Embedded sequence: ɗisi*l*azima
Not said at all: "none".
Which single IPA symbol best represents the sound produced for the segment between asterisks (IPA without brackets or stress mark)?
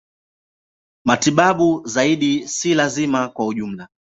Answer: l